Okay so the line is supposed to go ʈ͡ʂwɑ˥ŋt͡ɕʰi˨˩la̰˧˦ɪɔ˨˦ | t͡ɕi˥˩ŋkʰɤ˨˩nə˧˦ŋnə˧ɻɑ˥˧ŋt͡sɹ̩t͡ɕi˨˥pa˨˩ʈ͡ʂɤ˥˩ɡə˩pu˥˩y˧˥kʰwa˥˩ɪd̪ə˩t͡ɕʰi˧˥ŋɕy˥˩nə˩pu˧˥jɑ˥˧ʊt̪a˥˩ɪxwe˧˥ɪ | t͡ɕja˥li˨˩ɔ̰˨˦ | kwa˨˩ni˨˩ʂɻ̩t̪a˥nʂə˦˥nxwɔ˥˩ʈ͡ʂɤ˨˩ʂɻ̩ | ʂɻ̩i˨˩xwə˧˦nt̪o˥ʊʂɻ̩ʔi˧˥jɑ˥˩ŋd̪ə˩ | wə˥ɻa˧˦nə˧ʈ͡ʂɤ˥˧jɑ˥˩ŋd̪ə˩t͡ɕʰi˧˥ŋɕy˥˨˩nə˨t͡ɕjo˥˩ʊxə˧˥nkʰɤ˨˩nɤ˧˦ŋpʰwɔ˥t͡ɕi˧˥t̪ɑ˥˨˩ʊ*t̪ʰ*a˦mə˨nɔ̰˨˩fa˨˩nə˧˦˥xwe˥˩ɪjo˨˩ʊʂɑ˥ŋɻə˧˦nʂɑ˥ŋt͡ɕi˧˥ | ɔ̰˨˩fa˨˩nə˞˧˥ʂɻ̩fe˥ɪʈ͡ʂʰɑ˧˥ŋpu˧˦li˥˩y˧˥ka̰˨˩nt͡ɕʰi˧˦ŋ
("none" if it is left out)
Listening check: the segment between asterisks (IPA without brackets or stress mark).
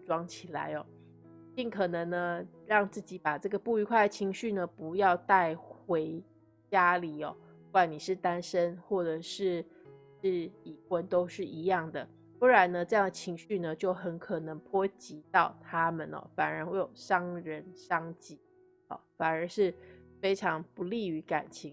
t̪ʰ